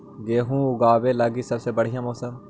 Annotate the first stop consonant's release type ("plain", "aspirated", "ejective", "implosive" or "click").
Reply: plain